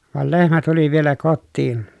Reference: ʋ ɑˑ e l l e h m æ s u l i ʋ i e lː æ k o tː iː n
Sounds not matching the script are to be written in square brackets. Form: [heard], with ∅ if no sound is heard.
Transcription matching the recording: ʋ ɑˑ e l l e h m æ [t] u l i ʋ i e [l] æ k o tː iː n